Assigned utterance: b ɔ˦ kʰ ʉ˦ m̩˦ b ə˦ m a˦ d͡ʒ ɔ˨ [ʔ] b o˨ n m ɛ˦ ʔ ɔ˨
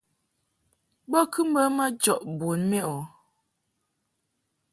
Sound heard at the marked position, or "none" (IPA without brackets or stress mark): ʔ